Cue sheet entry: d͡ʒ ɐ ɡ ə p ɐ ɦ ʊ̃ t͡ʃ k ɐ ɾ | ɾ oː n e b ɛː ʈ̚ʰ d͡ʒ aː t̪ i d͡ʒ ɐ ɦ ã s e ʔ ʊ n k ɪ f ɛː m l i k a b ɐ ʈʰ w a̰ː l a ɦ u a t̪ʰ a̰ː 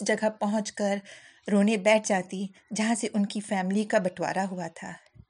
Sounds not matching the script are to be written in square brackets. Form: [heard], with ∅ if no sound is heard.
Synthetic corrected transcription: d͡ʒ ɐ ɡ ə p ɐ ɦ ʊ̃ t͡ʃ k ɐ ɾ | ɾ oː n e b ɛː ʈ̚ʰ d͡ʒ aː t̪ i d͡ʒ ɐ ɦ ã s e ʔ ʊ n k [i] f ɛː m l i k a b ɐ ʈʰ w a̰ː [ɾ] a ɦ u a t̪ʰ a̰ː